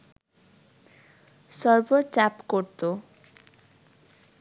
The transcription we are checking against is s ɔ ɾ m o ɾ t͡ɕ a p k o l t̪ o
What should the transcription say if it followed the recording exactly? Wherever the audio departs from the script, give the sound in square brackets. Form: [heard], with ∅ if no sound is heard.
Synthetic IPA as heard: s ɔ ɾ [b] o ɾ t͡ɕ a p k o [ɾ] t̪ o